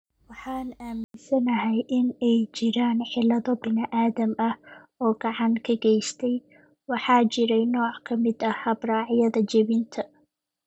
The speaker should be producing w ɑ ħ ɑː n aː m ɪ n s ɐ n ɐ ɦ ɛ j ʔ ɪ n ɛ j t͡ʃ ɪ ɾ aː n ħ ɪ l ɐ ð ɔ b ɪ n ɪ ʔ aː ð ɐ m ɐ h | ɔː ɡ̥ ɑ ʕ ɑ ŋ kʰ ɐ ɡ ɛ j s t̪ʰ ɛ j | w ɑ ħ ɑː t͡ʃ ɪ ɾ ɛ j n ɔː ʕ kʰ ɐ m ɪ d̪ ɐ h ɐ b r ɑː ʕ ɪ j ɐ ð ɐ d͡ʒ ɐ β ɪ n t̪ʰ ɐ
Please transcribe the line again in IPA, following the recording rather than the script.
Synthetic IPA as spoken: w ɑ ħ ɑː n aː m ɪ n s ɐ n ɐ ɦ ɛ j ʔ ɪ n ɛ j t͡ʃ ɪ ɾ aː n ħ ɪ l ɐ ð ɔ b ɪ n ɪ ʔ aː ð ɐ m ɐ h | ɔː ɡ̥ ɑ ʕ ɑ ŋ kʰ ɐ ɡ ɛ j s t̪ʰ ɛ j | w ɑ ħ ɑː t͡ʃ ɪ ɾ ɛ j n ɔː ʕ kʰ ɐ m ɪ d̪ ɐ h ɐ b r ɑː ʕ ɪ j ɐ ð ɐ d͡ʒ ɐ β ɪ n t̪ʰ ɐ